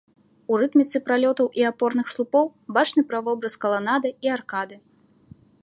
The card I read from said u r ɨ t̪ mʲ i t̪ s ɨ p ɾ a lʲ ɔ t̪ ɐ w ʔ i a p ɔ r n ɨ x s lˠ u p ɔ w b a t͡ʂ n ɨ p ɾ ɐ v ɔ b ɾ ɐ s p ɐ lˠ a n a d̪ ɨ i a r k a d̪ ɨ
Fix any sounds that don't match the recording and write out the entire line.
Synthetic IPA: u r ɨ t̪ mʲ i t̪ s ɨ p ɾ a lʲ ɔ t̪ ɐ w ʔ i a p ɔ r n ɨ x s lˠ u p ɔ w b a t͡ʂ n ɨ p ɾ ɐ v ɔ b ɾ ɐ s k ɐ lˠ a n a d̪ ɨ i a r k a d̪ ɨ